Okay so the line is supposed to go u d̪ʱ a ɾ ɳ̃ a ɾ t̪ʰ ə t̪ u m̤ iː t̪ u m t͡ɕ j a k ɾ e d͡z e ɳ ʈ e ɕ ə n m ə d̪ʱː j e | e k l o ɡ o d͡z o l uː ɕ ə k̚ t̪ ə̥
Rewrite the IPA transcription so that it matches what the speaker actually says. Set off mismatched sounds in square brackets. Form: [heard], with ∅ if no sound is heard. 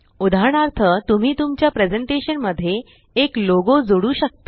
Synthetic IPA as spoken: u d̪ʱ a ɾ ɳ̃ a ɾ t̪ʰ ə t̪ u m̤ iː t̪ u m t͡ɕ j a [p] ɾ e d͡z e ɳ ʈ e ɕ ə n m ə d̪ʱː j e | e k l o ɡ o d͡z o [ɽ] uː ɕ ə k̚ t̪ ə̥